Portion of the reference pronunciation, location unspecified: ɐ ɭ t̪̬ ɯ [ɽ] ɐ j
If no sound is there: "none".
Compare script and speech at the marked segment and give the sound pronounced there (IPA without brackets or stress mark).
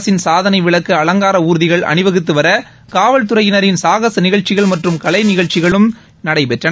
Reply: ɾ